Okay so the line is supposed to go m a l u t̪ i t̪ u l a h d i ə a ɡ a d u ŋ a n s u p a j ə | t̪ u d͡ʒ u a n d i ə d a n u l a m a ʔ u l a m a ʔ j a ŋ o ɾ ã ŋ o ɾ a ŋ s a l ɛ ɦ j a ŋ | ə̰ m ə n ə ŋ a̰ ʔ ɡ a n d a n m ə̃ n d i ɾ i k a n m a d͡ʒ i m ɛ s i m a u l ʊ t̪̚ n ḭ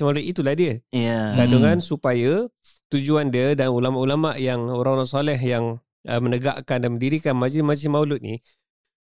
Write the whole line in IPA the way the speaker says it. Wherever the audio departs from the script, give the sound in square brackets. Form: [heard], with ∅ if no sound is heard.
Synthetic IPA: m a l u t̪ i t̪ u l a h d i ə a ɡ a d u ŋ a n s u p a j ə | t̪ u d͡ʒ u a n d i ə d a n u l a m a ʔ u l a m a ʔ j a ŋ o ɾ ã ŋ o ɾ a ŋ s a l ɛ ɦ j a ŋ | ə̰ m ə n ə [ɡ] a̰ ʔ [k] a n d a n m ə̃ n d i ɾ i k a n m a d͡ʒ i m [a] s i m a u l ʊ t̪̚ n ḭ